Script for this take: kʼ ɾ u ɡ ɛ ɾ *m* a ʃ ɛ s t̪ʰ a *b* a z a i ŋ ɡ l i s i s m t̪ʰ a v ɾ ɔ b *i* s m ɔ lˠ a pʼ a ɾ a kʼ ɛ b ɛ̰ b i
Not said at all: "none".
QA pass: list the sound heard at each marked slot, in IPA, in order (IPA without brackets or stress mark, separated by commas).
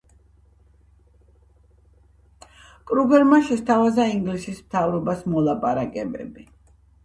m, v, a